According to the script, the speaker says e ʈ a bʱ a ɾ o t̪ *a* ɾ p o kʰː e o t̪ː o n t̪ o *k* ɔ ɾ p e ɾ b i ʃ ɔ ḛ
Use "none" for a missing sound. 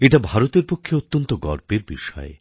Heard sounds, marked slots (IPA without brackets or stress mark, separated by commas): e, ɡ